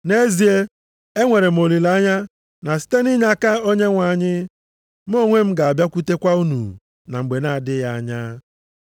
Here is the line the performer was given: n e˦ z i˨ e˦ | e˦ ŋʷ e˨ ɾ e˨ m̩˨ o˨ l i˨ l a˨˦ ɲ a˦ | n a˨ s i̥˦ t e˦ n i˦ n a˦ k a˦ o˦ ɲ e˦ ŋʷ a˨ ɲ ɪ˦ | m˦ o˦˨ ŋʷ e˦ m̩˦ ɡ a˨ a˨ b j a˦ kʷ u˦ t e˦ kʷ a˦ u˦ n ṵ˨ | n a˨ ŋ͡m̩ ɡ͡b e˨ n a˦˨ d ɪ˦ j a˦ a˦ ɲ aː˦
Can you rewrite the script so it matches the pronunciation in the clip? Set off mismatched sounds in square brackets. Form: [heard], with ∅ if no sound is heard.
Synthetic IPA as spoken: n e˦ z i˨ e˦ | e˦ ŋʷ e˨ ɾ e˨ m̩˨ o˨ l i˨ l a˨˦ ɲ a˦ | n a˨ s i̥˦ t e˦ n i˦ [ɲ] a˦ k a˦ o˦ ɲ e˦ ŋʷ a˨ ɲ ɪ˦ | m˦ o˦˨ ŋʷ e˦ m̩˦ ɡ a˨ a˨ b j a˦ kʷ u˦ t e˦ kʷ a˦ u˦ n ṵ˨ | n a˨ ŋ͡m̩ ɡ͡b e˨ n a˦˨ d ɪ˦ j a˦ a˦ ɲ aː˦